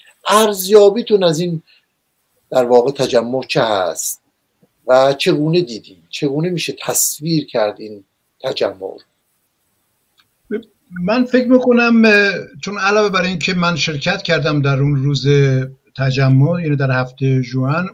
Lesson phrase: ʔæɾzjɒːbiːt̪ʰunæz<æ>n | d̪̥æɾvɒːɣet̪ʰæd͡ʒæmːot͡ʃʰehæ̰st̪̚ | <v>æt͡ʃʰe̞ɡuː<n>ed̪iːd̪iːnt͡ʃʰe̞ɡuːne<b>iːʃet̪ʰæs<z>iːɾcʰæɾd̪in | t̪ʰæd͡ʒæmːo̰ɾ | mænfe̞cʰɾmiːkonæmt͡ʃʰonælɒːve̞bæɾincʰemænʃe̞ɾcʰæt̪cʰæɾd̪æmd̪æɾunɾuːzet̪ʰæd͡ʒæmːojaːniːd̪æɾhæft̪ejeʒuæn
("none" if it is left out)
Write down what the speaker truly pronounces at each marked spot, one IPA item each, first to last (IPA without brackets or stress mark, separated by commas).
i, v, n, m, v